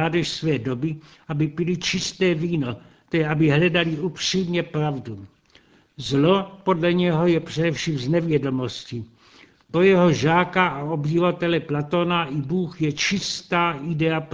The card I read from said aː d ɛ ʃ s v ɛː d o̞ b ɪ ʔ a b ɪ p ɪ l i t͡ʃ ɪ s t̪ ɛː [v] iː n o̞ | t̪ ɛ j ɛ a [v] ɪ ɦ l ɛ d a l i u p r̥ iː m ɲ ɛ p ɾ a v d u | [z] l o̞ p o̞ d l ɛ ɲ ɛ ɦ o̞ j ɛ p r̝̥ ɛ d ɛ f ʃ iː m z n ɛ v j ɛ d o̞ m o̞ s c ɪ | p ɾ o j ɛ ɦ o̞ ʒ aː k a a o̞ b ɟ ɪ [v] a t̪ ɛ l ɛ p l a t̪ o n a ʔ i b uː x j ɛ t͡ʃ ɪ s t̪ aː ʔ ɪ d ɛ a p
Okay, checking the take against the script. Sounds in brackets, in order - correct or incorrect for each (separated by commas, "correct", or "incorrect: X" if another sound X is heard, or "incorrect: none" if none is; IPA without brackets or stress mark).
correct, incorrect: b, correct, correct